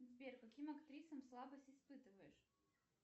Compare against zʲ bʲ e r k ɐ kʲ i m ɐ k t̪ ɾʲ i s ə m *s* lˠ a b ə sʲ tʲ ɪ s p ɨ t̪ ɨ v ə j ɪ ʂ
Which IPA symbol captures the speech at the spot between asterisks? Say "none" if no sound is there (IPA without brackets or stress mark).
s